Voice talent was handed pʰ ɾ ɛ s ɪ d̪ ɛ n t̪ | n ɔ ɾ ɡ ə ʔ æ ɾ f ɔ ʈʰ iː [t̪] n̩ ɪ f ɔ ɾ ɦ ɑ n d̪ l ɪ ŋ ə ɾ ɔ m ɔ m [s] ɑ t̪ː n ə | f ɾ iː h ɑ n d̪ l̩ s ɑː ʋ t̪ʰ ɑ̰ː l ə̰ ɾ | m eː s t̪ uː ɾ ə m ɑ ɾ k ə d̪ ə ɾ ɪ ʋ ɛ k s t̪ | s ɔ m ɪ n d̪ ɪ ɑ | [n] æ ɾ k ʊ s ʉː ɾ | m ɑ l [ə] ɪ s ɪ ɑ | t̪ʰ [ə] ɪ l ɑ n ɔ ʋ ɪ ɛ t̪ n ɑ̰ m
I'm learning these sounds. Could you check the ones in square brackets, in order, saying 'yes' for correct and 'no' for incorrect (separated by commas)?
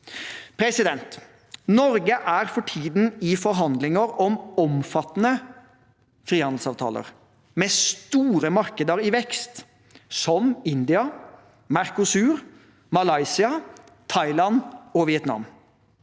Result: no, no, no, no, no